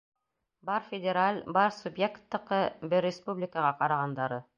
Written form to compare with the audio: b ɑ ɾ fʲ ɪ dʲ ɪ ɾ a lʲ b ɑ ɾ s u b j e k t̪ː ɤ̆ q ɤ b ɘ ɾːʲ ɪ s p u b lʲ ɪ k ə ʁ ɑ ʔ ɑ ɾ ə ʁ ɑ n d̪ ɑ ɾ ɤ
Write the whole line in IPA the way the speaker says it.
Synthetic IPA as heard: b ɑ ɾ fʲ ɪ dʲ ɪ ɾ a lʲ b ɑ ɾ s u b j e k t̪ː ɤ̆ q ɤ b ɘ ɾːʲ ɪ s p u b lʲ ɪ k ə ʁ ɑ q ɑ ɾ ɑ ʁ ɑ n d̪ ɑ ɾ ɤ